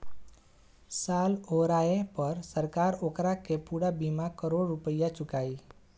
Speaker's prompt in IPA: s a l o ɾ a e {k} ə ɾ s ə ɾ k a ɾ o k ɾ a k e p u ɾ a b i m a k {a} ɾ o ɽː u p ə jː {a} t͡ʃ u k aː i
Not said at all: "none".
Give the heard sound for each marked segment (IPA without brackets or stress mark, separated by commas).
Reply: p, ə, a